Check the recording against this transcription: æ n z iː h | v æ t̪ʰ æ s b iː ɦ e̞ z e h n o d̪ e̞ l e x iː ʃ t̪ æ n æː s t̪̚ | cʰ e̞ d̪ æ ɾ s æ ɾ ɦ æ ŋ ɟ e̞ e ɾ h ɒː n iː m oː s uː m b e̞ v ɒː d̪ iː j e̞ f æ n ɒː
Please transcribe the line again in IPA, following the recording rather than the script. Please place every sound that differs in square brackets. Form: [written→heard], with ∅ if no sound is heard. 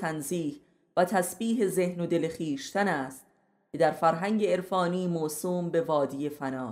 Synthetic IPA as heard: æ n z iː h | v æ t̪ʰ æ s b iː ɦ e̞ z e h n o d̪ e̞ l e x iː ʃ t̪ æ n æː s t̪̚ | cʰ e̞ d̪ æ ɾ [s→f] æ ɾ ɦ æ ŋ ɟ e̞ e ɾ [h→f] ɒː n iː m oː s uː m b e̞ v ɒː d̪ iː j e̞ f æ n ɒː